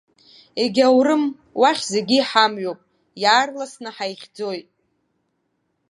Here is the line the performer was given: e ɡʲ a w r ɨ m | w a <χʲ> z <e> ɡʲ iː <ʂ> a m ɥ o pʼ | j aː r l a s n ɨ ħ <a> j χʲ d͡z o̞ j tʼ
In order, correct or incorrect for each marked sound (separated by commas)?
correct, correct, incorrect, correct